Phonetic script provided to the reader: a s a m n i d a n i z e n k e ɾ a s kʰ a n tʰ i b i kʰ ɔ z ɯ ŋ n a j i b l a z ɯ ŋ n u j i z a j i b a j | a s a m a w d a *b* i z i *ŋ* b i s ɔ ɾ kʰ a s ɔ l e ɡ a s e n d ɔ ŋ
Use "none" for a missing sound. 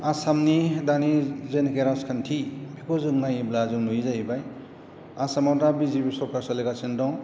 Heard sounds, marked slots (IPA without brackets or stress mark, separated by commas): b, none